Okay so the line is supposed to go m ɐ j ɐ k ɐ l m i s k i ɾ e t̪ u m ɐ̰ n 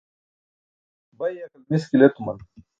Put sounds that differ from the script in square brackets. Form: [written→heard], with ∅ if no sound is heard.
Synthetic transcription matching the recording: [m→b] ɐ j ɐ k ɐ l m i s k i [ɾ→l] e t̪ u m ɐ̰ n